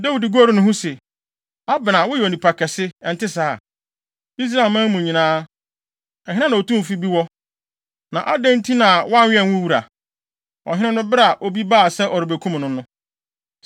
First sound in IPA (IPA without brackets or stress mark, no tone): d